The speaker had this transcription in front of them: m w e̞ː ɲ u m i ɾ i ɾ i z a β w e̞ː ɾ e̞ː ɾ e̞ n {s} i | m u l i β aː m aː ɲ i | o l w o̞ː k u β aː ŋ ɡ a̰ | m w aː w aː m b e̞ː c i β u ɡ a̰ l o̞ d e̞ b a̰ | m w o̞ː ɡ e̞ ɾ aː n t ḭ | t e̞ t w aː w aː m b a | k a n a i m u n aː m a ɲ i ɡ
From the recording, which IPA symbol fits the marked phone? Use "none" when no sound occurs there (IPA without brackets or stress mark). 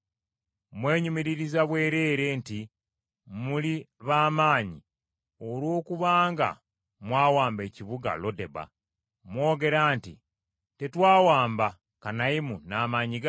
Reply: t